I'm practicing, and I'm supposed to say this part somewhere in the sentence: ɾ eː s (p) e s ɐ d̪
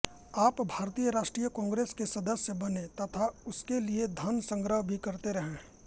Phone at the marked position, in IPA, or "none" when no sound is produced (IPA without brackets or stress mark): k